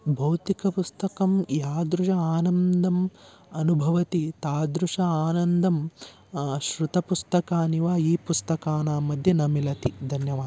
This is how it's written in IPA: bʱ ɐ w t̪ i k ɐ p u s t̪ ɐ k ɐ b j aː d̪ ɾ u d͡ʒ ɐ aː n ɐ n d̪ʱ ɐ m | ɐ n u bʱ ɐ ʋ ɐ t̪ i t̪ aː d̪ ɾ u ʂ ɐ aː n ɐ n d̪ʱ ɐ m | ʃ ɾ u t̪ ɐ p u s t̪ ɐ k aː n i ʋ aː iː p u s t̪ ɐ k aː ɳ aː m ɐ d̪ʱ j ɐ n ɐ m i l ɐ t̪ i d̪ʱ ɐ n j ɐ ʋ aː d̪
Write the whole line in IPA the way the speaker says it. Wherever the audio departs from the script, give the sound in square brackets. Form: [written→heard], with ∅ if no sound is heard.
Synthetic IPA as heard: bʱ ɐ w t̪ i k ɐ p u s t̪ ɐ k ɐ [b→m] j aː d̪ ɾ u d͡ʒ ɐ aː n ɐ n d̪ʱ ɐ m | ɐ n u bʱ ɐ ʋ ɐ t̪ i t̪ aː d̪ ɾ u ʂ ɐ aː n ɐ n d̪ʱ ɐ m | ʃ ɾ u t̪ ɐ p u s t̪ ɐ k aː n i ʋ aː iː p u s t̪ ɐ k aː [ɳ→n] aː m ɐ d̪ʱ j ɐ n ɐ m i l ɐ t̪ i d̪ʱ ɐ n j ɐ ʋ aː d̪